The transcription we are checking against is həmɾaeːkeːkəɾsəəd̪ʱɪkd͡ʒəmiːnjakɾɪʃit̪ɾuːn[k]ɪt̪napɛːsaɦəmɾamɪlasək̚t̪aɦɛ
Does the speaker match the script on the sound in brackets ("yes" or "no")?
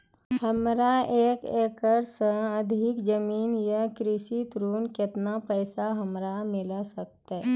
yes